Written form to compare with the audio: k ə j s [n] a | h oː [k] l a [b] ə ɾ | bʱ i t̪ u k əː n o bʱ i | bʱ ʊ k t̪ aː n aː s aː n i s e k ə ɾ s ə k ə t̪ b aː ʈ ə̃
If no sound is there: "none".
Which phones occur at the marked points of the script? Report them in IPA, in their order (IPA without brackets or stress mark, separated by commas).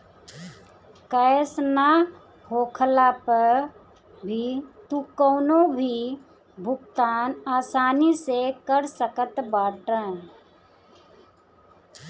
n, kʰ, p